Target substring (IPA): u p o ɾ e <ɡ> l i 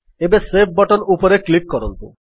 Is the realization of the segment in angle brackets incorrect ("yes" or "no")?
yes